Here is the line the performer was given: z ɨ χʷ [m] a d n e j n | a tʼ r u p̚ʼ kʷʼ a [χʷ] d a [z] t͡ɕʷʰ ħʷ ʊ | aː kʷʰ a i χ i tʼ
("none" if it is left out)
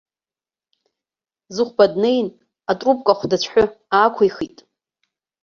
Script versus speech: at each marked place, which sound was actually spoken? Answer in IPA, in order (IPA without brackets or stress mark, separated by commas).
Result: b, χʷ, none